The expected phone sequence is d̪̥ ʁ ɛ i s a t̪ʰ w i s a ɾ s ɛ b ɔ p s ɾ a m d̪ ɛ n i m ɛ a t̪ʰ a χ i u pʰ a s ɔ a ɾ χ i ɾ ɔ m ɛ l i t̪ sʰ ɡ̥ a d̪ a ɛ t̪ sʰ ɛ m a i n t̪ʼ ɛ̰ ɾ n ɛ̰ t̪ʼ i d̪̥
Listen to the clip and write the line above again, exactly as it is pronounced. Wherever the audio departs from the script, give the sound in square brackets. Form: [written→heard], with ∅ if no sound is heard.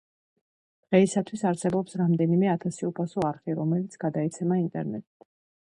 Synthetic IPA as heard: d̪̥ ʁ ɛ i s a t̪ʰ w i s a ɾ s ɛ b ɔ p s ɾ a m d̪ ɛ n i m ɛ a t̪ʰ a [χ→s] i u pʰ a s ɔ a ɾ χ i ɾ ɔ m ɛ l i t̪ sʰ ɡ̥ a d̪ a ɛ t̪ sʰ ɛ m a i n t̪ʼ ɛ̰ ɾ n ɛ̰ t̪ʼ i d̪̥

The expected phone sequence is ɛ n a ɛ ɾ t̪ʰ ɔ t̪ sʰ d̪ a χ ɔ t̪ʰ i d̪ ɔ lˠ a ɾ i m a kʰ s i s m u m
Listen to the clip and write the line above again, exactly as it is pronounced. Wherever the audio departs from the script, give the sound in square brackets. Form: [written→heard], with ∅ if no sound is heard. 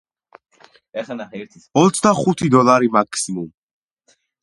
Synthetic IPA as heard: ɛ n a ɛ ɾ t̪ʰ ɔ t̪ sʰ d̪ a χ [ɔ→u] t̪ʰ i d̪ ɔ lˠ a ɾ i m a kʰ s i [s→∅] m u m

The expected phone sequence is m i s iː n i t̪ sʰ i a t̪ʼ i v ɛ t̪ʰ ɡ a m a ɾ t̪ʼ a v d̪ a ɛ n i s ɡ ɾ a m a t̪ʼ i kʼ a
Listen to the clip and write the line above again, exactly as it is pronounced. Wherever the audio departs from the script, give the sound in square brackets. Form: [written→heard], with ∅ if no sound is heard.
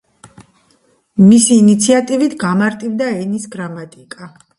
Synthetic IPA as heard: m i s iː n i t̪ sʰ i a t̪ʼ i v [ɛ→i] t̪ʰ ɡ a m a ɾ t̪ʼ [a→i] v d̪ a ɛ n i s ɡ ɾ a m a t̪ʼ i kʼ a

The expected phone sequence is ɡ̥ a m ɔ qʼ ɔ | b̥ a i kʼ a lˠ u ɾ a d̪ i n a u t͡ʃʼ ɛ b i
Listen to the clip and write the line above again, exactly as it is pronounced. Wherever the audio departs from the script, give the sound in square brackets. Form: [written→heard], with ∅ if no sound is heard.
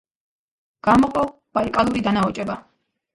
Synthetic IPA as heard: ɡ̥ a m ɔ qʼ ɔ | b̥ a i kʼ a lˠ u ɾ [a→i] d̪ [i→a] n a [u→ɔ] t͡ʃʼ ɛ b [i→a]

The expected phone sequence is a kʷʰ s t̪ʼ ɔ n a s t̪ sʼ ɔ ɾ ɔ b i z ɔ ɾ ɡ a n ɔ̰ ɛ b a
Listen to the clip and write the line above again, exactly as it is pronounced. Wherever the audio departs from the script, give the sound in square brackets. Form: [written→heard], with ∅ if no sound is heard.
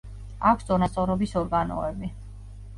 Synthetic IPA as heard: a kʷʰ s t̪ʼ ɔ n a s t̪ sʼ ɔ ɾ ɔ b i [z→s] ɔ ɾ ɡ a n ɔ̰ ɛ b [a→i]

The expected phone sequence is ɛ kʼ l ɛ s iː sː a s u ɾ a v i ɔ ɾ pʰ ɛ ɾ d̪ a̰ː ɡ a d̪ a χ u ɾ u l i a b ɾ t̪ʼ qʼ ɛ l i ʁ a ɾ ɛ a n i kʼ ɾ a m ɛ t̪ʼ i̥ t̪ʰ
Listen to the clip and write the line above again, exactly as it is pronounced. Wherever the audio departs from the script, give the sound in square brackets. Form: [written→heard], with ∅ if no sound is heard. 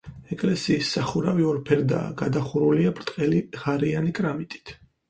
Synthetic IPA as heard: ɛ kʼ l ɛ s iː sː a [s→χ] u ɾ a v i ɔ ɾ pʰ ɛ ɾ d̪ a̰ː ɡ a d̪ a χ u ɾ u l i a b ɾ t̪ʼ qʼ ɛ l i ʁ a ɾ [ɛ→i] a n i kʼ ɾ a m [ɛ→i] t̪ʼ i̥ t̪ʰ

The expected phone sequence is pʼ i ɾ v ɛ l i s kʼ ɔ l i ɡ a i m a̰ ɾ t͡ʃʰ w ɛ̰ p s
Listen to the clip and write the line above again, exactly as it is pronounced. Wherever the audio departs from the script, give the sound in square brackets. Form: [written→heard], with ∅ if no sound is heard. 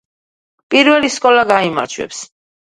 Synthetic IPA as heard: pʼ i ɾ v ɛ l i s kʼ ɔ l [i→a] ɡ a i m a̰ ɾ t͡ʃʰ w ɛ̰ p s

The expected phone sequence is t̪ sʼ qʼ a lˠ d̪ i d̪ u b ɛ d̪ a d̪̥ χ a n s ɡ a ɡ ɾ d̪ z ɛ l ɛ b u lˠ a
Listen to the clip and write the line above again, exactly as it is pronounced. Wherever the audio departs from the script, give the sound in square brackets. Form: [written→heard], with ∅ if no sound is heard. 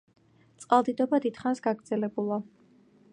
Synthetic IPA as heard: t̪ sʼ qʼ a lˠ d̪ i d̪ [u→ɔ] b [ɛ→a] d̪ [a→i] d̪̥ χ a n s ɡ a ɡ ɾ d̪ z ɛ l ɛ b u lˠ a

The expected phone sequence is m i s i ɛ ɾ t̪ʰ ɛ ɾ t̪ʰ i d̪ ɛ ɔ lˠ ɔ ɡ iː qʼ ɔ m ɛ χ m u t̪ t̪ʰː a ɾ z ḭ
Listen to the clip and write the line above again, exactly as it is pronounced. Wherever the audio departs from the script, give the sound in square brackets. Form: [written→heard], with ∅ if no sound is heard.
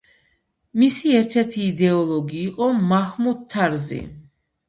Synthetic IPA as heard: m i s i ɛ ɾ t̪ʰ ɛ ɾ t̪ʰ [i→iː] d̪ ɛ ɔ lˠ ɔ ɡ iː qʼ ɔ m [ɛ→a] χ m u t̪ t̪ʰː a ɾ z ḭ

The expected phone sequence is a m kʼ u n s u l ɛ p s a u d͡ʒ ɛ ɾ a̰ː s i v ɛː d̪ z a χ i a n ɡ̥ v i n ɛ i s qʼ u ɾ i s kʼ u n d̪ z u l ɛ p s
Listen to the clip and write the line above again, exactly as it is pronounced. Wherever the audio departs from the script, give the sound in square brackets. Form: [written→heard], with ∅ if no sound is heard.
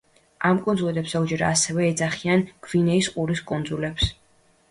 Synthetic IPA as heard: a m kʼ u n [s→z] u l ɛ p s a u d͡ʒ ɛ ɾ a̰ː s [i→ɛ] v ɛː d̪ z a χ i a n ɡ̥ v i n ɛ i s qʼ u ɾ i s kʼ u n d̪ z u l ɛ p s

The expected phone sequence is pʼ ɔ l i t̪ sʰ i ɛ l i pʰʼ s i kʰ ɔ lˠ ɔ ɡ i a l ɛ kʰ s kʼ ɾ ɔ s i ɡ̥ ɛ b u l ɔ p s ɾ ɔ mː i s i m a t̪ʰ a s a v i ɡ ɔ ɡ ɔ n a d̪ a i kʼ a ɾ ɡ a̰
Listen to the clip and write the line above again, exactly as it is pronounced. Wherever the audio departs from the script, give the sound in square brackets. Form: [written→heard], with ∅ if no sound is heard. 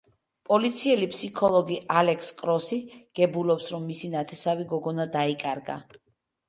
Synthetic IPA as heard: pʼ ɔ l i t̪ sʰ i ɛ l i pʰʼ s i kʰ ɔ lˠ ɔ ɡ i a l ɛ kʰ s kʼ ɾ ɔ s i ɡ̥ ɛ b u l ɔ p s ɾ ɔ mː i s i [m→n] a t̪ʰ [a→ɛ] s a v i ɡ ɔ ɡ ɔ n a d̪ a i kʼ a ɾ ɡ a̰

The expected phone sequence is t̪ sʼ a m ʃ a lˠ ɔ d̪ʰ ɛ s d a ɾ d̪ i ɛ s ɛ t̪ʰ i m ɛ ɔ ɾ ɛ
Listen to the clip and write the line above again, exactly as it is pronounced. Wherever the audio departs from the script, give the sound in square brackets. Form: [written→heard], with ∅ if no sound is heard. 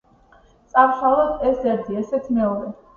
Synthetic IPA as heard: t̪ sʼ a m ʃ a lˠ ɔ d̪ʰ ɛ s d [a→ɛ] ɾ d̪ i ɛ s ɛ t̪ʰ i m ɛ ɔ ɾ ɛ

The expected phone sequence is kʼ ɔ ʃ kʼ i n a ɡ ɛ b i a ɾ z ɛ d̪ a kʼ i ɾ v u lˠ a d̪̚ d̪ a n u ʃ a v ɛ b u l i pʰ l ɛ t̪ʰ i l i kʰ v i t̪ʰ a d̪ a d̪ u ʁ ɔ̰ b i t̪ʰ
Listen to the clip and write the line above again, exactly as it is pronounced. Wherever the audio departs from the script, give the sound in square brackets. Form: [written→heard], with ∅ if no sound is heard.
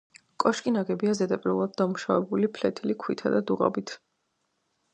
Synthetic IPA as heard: kʼ ɔ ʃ kʼ i n a ɡ ɛ b i a [ɾ→∅] z ɛ d̪ a [kʼ→pʼ] i ɾ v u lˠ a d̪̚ d̪ a [n→m] u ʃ a v ɛ b u l i pʰ l ɛ t̪ʰ i l i kʰ [v→w] i t̪ʰ a d̪ a d̪ u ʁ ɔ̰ b i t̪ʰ

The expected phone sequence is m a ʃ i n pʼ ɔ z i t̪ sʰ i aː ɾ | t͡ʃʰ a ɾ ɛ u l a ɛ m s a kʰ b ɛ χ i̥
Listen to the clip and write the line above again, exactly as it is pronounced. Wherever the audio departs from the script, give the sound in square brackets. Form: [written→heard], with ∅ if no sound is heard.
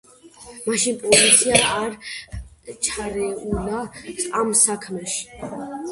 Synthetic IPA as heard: m a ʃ i n pʼ ɔ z i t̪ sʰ i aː ɾ | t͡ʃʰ a ɾ ɛ u l a [ɛ→a] m s a kʰ [b→m] ɛ [χ→ʃ] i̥

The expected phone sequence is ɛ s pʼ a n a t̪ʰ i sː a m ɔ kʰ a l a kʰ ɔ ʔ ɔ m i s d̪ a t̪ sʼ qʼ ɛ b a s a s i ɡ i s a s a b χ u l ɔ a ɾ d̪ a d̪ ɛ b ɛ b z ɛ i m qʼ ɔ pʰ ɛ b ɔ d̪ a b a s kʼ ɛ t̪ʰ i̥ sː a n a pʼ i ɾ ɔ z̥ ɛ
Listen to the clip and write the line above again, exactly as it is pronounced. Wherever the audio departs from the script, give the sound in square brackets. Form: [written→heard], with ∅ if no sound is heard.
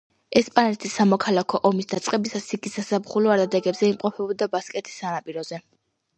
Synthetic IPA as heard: ɛ s pʼ a n [a→ɛ] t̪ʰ i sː a m ɔ kʰ a l a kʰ ɔ ʔ ɔ m i s d̪ a t̪ sʼ qʼ ɛ b [a→i] s a s i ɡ i s a s a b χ u l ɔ a ɾ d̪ a d̪ ɛ [b→ɡ] ɛ b z ɛ i m qʼ ɔ pʰ ɛ b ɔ d̪ a b a s kʼ ɛ t̪ʰ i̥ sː a n a pʼ i ɾ ɔ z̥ ɛ

